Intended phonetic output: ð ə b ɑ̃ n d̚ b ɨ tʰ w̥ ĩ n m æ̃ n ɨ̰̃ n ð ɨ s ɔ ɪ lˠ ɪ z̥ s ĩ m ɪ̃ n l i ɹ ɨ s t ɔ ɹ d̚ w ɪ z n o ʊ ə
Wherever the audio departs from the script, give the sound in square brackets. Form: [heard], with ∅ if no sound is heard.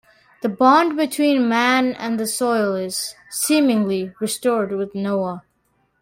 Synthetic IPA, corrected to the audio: ð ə b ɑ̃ n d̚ b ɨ tʰ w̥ ĩ n m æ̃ n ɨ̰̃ n ð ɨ s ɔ ɪ lˠ ɪ z̥ s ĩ m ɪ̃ [ŋ] l i ɹ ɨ s t ɔ ɹ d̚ w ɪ [ð] n o ʊ ə

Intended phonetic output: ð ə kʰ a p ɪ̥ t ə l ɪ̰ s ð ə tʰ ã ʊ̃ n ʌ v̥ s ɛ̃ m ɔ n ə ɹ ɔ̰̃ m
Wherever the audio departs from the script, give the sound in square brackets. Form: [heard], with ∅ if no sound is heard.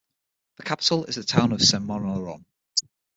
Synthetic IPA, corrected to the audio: ð ə kʰ a p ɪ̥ t ə l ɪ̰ [z] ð ə tʰ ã ʊ̃ n [ə] v̥ s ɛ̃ m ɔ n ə ɹ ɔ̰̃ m

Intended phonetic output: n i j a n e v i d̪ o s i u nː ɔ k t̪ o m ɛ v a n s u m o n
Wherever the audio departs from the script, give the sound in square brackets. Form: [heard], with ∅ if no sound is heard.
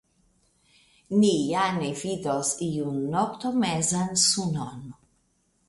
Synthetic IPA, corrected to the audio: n i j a n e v i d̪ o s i u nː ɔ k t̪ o m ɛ [z] a n s u [n] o n

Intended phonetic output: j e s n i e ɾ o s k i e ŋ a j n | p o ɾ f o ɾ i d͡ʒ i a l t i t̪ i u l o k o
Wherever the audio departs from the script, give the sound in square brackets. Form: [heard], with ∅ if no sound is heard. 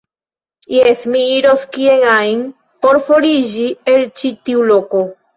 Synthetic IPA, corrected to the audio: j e s [m] i [i] ɾ o s k i e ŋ a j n | p o ɾ f o ɾ i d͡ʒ i [e] l [t͡ʃ] i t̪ i u l o k o

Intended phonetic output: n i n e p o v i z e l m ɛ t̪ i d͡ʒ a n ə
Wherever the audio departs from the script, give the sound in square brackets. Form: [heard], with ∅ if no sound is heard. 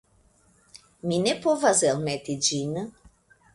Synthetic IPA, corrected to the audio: [m] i n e p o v [a] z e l m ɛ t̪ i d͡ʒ [i] n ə

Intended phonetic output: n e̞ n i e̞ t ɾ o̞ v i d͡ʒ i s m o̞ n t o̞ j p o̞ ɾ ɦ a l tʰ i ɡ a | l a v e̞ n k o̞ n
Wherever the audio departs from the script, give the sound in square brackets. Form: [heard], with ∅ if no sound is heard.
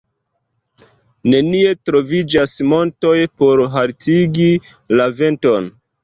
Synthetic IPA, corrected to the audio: n e̞ n i e̞ t ɾ o̞ v i d͡ʒ [a] s m o̞ n t o̞ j p o̞ ɾ ɦ a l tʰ i ɡ [i] | l a v e̞ n [t] o̞ n

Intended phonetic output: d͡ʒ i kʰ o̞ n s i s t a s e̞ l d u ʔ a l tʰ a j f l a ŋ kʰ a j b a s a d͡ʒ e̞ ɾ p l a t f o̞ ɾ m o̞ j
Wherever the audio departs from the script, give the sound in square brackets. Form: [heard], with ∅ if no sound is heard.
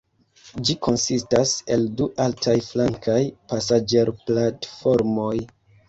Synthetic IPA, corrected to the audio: d͡ʒ i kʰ o̞ n s i s t a s e̞ l d u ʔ a l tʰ a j f l a ŋ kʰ a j [p] a s a d͡ʒ e̞ ɾ p l a t f o̞ ɾ m o̞ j

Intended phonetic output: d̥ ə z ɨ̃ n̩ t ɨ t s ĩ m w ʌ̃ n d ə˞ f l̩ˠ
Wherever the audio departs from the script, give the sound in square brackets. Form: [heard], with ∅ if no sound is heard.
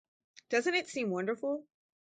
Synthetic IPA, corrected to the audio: d̥ [ʌ] z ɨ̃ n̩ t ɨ t s ĩ m w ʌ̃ n d ə˞ f l̩ˠ

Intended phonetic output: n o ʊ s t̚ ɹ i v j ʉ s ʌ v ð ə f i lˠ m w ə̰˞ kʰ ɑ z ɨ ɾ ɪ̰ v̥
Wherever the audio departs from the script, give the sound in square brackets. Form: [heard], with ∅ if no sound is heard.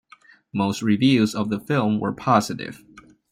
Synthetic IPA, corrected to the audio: [m] o ʊ s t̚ ɹ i v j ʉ [z] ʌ v ð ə f [ɪ] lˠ m w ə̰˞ [pʰ] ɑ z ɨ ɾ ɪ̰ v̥

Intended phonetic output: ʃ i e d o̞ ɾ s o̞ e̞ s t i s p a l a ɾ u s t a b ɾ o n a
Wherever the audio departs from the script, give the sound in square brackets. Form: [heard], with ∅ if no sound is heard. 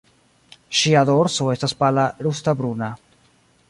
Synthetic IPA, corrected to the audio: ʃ i [a] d o̞ ɾ s o̞ e̞ s t [a] s p a l a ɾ u s t a b ɾ [u] n a

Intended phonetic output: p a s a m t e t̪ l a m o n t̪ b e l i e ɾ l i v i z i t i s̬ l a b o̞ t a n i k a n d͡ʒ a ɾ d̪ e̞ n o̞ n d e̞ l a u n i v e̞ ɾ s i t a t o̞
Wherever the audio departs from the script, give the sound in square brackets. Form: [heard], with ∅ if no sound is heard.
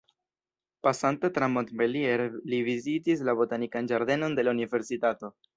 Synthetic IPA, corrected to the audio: p a s a [n] t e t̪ [ɾ] a m o n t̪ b e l i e ɾ l i v i z i t i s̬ l a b o̞ t a n i k a n d͡ʒ a ɾ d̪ e̞ n o̞ n d e̞ l a u n i v e̞ ɾ s i t a t o̞

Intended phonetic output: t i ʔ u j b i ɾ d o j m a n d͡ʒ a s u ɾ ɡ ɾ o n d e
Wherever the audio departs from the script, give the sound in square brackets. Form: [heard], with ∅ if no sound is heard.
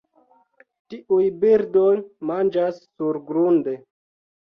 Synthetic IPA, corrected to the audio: t i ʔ u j b i ɾ d o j m a n d͡ʒ a [sː] u ɾ ɡ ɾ [u] n d e

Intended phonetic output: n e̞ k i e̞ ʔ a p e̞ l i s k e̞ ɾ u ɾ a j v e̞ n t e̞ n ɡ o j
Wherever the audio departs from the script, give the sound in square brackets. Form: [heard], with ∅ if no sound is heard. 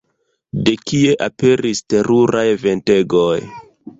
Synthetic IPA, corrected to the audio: [d] e̞ k i e̞ ʔ a p e̞ [ɾ] i s [t] e̞ ɾ u ɾ a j v e̞ n t e̞ [∅] ɡ o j

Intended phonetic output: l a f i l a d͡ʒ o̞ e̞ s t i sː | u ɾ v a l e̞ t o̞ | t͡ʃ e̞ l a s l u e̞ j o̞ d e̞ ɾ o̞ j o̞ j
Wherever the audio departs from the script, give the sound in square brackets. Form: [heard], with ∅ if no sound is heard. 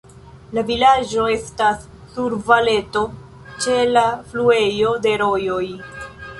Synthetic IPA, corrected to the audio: l a [v] i l a d͡ʒ o̞ e̞ s t [a] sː | u ɾ v a l e̞ t o̞ | t͡ʃ e̞ l a [f] l u e̞ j o̞ d e̞ ɾ o̞ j o̞ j

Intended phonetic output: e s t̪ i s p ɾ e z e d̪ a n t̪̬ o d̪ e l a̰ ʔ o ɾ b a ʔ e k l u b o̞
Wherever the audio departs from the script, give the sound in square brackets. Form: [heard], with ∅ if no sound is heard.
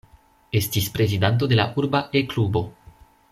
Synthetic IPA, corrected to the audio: e s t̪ i s p ɾ e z [i] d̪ a n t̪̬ o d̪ e l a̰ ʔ [u] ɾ b a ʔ e k l u b o̞

